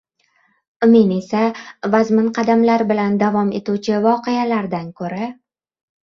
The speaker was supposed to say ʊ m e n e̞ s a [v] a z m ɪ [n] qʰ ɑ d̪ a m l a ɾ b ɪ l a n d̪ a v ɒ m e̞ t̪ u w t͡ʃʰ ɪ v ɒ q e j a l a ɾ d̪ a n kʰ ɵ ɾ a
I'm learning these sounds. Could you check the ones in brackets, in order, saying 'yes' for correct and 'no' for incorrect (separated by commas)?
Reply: yes, yes